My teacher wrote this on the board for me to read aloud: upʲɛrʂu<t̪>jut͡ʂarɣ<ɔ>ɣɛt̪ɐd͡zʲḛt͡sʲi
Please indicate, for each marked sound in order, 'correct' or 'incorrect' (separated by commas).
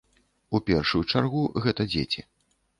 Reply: incorrect, incorrect